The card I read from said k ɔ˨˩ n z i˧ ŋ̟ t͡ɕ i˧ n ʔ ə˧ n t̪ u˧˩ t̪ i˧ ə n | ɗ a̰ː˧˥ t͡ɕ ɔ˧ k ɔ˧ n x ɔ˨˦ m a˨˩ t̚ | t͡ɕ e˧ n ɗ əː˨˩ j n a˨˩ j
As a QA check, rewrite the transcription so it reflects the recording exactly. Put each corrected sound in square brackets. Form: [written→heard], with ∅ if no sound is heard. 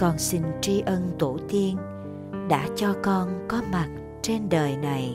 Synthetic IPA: k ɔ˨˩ n [z→s] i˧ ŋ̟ t͡ɕ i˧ [n→∅] ʔ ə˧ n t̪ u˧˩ t̪ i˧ ə n | ɗ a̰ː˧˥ t͡ɕ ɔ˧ k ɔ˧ n [x→k] ɔ˨˦ m a˨˩ t̚ | t͡ɕ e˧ n ɗ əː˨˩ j n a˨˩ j